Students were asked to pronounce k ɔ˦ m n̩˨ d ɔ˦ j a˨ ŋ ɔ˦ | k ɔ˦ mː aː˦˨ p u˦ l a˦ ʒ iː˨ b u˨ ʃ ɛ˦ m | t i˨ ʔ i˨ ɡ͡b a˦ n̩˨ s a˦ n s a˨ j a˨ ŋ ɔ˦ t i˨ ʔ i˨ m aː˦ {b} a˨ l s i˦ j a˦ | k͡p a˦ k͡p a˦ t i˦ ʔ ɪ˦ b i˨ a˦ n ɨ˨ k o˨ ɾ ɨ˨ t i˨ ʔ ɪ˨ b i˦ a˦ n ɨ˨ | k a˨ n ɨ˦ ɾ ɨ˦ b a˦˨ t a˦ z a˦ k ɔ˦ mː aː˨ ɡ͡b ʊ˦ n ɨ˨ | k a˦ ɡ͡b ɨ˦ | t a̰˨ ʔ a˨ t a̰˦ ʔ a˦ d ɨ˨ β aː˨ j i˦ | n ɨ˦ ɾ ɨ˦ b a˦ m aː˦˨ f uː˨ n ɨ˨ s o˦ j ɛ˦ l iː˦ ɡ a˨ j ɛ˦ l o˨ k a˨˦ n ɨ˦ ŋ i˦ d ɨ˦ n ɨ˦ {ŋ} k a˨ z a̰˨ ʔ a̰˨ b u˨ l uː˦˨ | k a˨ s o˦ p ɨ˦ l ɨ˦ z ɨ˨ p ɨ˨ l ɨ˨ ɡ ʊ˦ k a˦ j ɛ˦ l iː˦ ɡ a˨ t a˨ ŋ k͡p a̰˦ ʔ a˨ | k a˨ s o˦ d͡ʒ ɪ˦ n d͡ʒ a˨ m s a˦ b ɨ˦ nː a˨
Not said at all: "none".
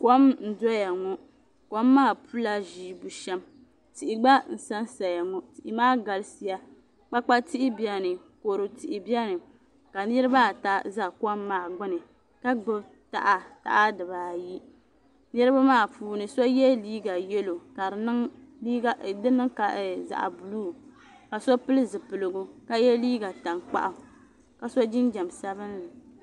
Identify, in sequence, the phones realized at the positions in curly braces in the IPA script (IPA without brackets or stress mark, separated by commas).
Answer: ɡ, ŋ